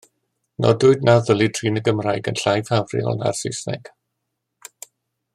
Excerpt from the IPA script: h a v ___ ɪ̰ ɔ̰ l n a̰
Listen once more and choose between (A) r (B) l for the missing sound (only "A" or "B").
A